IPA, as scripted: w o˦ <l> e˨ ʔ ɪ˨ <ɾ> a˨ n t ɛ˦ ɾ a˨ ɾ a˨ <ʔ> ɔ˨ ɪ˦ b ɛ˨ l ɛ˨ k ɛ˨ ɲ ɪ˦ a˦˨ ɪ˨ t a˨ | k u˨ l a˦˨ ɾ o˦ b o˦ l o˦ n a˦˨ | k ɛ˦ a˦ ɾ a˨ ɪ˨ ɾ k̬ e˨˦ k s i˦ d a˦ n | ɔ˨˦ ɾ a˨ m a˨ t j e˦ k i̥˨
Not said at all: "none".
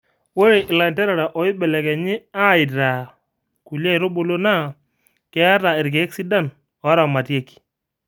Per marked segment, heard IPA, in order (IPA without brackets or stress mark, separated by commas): ɾ, l, ʔ